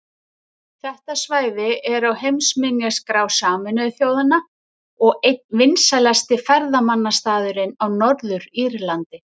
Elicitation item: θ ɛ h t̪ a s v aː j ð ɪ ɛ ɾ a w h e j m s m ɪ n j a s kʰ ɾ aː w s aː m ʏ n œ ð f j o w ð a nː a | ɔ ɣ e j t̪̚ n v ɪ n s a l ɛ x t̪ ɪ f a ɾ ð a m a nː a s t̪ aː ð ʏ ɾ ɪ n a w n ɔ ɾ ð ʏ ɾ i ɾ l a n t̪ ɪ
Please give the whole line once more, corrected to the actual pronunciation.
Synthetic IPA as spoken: θ ɛ h t̪ a s v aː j ð ɪ ɛ ɾ a w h e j m s m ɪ n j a s k ɾ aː w s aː m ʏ n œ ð θ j o w ð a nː a | ɔ ɣ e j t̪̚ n v ɪ n s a l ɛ s t̪ ɪ f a ɾ ð a m a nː a s t̪ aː ð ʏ ɾ ɪ n a w n ɔ ɾ ð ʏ ɾ i ɾ l a n t̪ ɪ